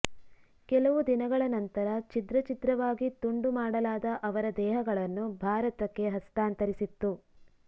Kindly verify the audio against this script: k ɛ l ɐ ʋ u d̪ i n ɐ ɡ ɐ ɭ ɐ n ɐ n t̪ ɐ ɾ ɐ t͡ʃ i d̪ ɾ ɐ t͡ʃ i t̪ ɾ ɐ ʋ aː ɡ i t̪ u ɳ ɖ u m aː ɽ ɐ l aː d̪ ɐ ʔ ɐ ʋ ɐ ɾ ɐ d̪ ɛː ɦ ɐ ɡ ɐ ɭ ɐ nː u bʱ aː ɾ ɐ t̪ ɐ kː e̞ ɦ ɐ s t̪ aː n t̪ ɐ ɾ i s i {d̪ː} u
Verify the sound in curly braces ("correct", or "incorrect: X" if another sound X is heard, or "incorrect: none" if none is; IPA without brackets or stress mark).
incorrect: t̪ː